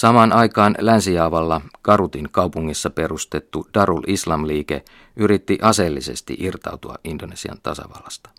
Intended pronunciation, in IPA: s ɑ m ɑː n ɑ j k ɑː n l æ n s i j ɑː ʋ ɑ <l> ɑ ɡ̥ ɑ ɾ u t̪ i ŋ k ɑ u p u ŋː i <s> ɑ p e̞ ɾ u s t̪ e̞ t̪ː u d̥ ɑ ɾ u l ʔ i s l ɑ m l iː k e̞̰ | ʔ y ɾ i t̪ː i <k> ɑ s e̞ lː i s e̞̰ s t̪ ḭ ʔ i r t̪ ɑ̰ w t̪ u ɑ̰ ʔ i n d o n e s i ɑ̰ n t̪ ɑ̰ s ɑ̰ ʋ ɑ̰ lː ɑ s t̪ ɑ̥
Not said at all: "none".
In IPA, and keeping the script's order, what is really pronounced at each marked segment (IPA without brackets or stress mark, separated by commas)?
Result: lː, sː, ʔ